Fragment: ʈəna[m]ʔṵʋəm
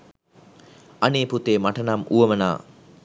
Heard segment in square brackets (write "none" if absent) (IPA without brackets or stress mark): m